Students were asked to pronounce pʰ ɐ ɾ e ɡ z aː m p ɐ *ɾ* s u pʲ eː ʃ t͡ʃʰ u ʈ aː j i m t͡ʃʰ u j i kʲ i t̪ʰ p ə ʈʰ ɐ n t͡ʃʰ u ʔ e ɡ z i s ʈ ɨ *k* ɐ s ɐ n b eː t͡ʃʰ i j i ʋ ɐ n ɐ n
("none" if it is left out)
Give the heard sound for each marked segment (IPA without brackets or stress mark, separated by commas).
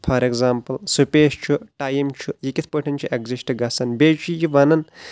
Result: l, ɡ